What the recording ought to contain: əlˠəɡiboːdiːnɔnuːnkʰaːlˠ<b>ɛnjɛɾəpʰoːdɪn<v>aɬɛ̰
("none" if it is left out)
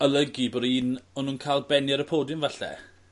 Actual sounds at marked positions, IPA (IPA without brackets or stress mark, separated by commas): b, v